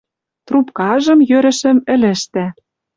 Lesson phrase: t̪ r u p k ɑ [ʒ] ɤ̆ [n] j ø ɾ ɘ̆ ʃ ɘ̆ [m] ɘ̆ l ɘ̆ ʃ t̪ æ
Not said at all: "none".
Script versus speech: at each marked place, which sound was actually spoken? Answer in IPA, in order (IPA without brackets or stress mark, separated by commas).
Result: ʒ, m, m